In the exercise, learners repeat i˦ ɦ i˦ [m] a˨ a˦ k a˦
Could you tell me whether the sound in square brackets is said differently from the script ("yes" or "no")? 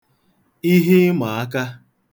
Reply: no